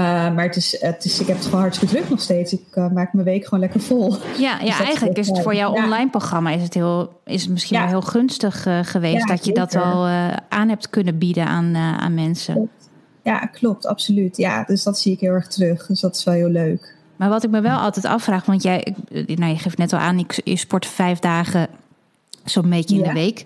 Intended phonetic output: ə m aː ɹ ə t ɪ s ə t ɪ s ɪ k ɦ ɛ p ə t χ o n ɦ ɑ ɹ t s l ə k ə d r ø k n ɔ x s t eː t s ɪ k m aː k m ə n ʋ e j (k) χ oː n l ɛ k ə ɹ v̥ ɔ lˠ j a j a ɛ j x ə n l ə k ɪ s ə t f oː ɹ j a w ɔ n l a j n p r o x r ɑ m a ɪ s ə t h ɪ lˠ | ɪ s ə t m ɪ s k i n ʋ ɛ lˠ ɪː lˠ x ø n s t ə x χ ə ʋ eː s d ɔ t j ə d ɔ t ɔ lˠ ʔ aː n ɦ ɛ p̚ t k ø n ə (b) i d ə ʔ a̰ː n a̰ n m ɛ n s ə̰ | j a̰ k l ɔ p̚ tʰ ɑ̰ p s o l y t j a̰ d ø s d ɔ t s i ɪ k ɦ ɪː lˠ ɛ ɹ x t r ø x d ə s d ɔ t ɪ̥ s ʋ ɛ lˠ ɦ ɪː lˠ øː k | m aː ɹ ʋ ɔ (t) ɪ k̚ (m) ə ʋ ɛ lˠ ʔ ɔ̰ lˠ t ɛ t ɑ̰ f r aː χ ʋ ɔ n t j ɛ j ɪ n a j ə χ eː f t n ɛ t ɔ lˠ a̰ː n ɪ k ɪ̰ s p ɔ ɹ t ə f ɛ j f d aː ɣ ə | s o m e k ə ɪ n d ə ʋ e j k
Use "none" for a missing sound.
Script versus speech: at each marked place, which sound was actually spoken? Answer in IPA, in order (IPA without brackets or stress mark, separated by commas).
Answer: k, b, t, m